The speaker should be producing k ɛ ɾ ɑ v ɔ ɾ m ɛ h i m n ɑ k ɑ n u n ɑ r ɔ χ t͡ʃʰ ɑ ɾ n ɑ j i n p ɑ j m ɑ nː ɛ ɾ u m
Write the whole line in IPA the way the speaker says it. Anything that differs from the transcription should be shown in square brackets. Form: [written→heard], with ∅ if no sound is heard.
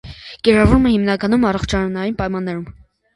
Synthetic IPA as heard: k ɛ ɾ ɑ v [ɔ→u] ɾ m ɛ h i m n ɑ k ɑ n u [n→m] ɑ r ɔ χ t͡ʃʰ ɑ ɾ n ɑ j i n p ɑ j m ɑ nː ɛ ɾ u m